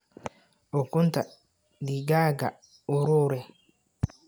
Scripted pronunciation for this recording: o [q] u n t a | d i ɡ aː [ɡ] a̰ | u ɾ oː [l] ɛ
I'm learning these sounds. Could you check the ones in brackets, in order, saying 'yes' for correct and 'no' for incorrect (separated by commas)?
no, yes, no